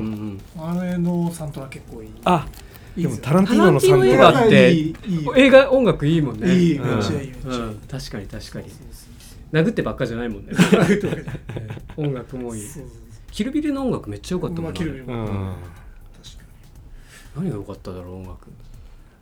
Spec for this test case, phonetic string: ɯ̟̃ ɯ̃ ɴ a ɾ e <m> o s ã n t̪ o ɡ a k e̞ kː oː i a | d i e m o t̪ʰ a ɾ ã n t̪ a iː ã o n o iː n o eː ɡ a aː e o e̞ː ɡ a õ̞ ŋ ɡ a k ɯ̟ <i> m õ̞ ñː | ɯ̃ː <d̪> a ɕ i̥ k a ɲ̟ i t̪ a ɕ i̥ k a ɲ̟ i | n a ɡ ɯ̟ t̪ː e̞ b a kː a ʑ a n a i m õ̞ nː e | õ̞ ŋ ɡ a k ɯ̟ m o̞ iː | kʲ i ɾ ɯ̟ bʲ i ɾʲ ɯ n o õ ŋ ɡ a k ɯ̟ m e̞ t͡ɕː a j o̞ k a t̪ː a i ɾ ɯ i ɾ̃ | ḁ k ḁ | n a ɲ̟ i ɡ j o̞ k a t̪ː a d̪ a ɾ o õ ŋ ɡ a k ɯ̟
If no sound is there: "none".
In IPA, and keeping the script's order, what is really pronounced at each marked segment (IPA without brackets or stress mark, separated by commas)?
n, iː, t̪